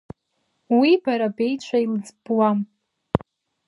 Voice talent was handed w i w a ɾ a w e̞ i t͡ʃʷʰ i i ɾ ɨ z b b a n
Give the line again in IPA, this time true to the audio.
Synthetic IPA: w i b a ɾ a b e̞ j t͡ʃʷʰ a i l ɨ d͡z b w a m

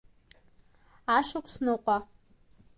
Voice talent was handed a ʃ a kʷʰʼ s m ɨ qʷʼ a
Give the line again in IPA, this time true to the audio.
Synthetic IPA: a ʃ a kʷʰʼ s n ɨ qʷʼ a

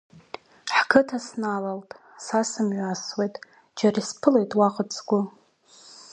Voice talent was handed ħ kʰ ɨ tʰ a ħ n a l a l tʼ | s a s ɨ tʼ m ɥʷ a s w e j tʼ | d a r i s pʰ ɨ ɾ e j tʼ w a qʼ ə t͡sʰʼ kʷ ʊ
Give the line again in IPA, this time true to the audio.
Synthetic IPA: ħ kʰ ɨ tʰ a s n a l a l tʼ | s a s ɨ m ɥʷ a s w e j tʼ | d͡ʒ a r i s pʰ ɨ l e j tʼ w a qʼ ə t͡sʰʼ ɡʷ ʊ

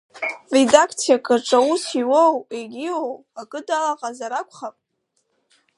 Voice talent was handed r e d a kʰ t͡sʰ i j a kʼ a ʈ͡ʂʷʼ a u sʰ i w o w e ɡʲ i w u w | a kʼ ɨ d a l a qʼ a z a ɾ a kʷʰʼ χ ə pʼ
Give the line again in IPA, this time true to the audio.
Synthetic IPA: r e d a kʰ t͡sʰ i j a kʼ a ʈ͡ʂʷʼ a u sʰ i w o w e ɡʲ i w o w | a kʼ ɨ d a l a qʼ a z a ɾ a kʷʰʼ χ a pʼ

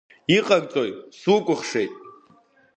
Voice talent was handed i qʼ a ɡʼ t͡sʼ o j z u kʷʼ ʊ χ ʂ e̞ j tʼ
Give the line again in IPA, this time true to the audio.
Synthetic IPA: i qʼ a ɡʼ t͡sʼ o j s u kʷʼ ʊ χ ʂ e̞ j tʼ

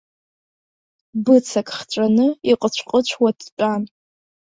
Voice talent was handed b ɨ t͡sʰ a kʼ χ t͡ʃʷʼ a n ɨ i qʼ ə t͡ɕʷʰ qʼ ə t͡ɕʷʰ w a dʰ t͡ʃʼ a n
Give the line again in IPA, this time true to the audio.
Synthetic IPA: b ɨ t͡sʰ a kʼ χ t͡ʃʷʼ a n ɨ i qʼ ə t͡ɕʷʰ qʼ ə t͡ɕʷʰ w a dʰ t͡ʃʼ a n

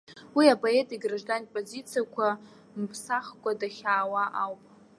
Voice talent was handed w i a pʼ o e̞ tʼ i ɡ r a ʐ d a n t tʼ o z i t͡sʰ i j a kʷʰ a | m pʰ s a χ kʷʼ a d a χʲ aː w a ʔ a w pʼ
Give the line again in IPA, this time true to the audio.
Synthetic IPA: w i a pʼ o e̞ tʼ i ɡ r a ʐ d a n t pʼ o z i t͡sʰ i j a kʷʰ a | m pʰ s a χ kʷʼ a d a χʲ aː w a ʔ a w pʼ

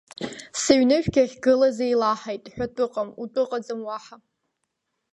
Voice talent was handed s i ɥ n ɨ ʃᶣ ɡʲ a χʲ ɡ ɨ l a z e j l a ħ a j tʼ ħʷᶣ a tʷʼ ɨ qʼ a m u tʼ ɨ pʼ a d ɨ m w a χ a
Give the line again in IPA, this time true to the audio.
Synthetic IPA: s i ɥ n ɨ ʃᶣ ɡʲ a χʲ ɡ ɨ l a z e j l a ħ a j tʼ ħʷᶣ a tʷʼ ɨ qʼ a m u tʼ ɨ qʼ a d͡z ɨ m w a ħ a

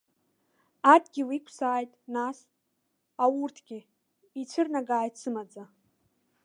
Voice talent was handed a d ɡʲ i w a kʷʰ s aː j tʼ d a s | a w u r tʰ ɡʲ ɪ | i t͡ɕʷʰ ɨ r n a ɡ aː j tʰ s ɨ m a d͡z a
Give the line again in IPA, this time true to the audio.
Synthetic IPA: a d ɡʲ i w i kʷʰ s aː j tʼ n a s | a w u r tʰ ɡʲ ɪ | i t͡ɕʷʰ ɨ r n a ɡ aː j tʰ s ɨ m a d͡z a

